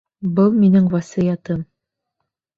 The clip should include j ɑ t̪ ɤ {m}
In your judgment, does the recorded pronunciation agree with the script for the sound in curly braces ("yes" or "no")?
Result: yes